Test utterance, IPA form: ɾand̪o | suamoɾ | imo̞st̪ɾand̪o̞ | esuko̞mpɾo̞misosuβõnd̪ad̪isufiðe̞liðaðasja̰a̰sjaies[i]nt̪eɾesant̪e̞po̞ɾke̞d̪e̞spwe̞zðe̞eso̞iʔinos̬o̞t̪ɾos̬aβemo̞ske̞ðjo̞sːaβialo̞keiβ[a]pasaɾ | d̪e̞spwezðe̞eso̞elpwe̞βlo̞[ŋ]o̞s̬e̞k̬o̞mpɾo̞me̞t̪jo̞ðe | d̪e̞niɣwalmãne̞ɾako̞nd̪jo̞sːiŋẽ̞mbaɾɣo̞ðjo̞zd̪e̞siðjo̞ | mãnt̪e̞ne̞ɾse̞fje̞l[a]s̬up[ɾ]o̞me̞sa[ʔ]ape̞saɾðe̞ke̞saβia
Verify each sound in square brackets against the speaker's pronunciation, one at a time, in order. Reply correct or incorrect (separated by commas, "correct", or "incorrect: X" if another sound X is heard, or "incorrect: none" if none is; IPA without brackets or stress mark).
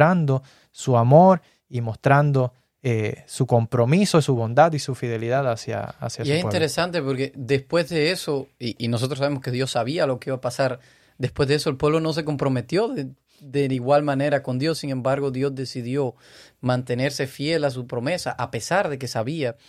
correct, correct, incorrect: n, correct, correct, correct